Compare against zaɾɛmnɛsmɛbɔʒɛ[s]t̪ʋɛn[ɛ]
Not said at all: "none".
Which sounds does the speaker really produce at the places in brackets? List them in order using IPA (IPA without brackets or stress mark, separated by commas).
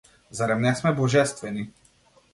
s, i